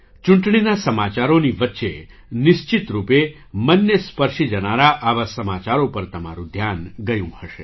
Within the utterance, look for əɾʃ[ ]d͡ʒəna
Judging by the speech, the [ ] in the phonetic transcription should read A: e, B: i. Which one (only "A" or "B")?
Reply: B